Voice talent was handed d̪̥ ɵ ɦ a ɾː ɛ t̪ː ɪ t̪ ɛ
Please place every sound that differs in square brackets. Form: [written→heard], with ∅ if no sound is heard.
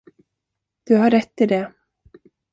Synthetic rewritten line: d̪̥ ɵ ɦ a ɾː ɛ t̪ː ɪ [t̪→d̪] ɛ